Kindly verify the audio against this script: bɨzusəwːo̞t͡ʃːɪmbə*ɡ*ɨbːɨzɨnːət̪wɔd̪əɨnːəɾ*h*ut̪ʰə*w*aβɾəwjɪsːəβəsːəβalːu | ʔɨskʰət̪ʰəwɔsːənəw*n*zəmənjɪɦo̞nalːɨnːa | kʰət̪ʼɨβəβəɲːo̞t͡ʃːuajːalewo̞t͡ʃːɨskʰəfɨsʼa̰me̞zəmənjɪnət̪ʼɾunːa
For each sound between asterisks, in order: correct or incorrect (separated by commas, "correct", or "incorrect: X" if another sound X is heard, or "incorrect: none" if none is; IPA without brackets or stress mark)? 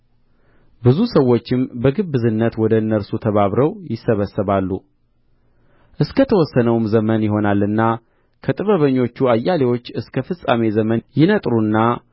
correct, incorrect: s, incorrect: β, incorrect: m